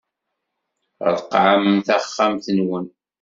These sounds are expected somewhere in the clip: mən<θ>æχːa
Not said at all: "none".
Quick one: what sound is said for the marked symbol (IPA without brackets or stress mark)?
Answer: θ